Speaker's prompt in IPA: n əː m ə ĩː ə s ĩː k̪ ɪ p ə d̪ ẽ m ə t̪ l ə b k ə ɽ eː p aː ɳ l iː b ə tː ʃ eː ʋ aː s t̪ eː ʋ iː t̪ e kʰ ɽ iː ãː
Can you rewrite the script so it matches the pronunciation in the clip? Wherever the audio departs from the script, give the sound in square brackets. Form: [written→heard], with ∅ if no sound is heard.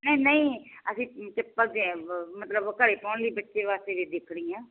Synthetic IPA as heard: n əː [m→n] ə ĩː ə s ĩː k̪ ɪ p ə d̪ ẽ m ə t̪ l ə b k ə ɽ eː p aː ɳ l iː b ə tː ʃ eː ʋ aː s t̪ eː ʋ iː [t̪→d̪] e kʰ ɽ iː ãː